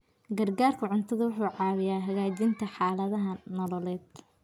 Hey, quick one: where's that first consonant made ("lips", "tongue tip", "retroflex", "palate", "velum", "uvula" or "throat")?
velum